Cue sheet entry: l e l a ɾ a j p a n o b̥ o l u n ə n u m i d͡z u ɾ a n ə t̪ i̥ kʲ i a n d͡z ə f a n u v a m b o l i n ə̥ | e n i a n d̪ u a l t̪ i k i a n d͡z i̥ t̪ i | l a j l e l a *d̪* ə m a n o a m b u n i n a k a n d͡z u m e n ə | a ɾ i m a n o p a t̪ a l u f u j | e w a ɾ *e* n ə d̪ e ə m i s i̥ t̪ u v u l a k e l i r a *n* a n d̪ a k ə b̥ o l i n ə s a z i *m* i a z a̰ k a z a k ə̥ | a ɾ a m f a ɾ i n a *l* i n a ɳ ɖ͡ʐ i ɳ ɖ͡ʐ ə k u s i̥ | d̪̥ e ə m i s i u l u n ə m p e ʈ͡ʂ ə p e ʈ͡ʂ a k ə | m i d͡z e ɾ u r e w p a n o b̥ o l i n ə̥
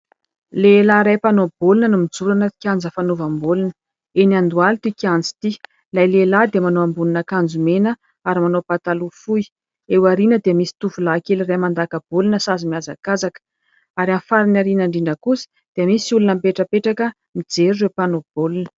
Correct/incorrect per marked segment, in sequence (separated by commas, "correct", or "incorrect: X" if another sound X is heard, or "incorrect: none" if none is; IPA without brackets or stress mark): correct, incorrect: i, incorrect: m, correct, incorrect: ɾ